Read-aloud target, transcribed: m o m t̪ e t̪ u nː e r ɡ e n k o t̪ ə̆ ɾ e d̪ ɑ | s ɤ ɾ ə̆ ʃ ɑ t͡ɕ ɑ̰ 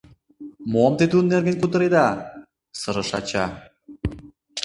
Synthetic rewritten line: m o m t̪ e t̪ u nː e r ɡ e n k u t̪ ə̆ ɾ e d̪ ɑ | s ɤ ɾ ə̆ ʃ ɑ t͡ɕ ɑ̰